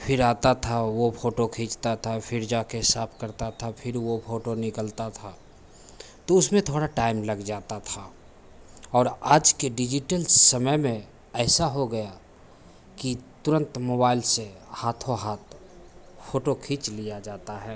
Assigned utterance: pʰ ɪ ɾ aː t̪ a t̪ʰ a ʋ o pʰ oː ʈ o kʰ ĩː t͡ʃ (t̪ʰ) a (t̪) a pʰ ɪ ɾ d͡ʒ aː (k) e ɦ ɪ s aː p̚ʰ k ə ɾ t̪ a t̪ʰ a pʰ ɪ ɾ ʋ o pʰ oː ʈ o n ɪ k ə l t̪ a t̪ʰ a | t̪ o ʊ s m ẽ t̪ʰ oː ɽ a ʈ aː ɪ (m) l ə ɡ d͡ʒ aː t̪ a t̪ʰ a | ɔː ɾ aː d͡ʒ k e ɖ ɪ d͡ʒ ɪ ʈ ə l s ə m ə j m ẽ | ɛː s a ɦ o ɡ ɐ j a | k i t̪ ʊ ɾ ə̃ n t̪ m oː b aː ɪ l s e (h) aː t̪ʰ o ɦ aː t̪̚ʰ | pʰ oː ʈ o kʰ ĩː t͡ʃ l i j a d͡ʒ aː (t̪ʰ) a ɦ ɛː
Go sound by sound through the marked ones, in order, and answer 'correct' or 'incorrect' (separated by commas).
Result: incorrect, incorrect, correct, correct, correct, incorrect